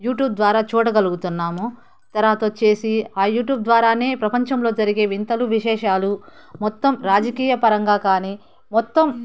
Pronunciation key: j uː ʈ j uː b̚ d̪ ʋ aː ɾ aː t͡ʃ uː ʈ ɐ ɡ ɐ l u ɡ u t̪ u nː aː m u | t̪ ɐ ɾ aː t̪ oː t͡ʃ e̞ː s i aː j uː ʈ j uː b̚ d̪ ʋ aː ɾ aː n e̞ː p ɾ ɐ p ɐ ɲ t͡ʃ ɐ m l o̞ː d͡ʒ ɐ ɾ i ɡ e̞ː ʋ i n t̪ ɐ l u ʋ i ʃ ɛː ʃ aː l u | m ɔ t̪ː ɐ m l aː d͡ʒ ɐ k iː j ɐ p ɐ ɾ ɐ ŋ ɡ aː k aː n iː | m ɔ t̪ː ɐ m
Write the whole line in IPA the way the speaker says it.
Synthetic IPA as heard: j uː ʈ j uː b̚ d̪ ʋ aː ɾ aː t͡ʃ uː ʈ ɐ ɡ ɐ l u ɡ u t̪ u nː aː m u | t̪ ɐ ɾ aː t̪ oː t͡ʃ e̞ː s i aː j uː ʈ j uː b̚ d̪ ʋ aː ɾ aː n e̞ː p ɾ ɐ p ɐ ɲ t͡ʃ ɐ m l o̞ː d͡ʒ ɐ ɾ i ɡ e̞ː ʋ i n t̪ ɐ l u ʋ i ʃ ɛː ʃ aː l u | m ɔ t̪ː ɐ m ɾ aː d͡ʒ ɐ k iː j ɐ p ɐ ɾ ɐ ŋ ɡ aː k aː n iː | m ɔ t̪ː ɐ m